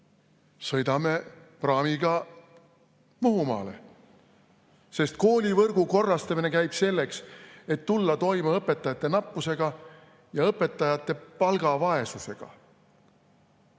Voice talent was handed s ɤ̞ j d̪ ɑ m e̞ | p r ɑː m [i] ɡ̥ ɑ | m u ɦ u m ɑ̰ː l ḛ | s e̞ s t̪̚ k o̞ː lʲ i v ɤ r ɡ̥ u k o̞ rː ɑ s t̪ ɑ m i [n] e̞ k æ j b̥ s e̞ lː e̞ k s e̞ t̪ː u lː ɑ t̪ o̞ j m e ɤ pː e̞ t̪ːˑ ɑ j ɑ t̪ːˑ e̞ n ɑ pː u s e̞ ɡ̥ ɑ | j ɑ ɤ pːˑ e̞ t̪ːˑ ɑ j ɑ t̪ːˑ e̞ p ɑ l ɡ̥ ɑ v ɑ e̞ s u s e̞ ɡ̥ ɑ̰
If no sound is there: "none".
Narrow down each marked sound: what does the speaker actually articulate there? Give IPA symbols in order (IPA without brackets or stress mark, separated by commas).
i, n